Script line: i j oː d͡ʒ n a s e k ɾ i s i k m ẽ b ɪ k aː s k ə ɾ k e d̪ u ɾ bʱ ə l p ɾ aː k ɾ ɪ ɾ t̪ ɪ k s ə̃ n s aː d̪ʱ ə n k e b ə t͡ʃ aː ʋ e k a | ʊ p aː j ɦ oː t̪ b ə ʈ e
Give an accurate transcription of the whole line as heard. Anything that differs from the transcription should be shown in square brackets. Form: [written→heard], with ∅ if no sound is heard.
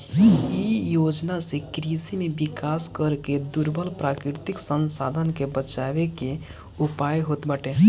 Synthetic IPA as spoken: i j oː d͡ʒ n a s e k ɾ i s i [k→∅] m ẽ b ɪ k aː s k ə ɾ k e d̪ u ɾ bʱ ə l p ɾ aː k ɾ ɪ ɾ t̪ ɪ k s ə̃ n s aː d̪ʱ ə n k e b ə t͡ʃ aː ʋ e k [a→e] | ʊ p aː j ɦ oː t̪ b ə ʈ e